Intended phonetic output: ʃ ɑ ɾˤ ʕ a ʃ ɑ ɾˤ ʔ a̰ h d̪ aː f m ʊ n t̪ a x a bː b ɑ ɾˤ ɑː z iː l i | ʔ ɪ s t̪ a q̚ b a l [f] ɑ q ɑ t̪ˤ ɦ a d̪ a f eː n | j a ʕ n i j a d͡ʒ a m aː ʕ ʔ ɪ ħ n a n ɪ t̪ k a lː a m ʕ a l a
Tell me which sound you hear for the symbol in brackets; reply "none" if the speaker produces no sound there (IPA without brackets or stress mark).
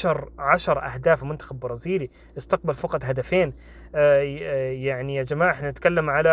f